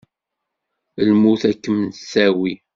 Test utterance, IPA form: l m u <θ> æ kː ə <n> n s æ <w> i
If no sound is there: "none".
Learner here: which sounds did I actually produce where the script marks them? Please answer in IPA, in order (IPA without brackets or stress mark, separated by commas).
θ, m, w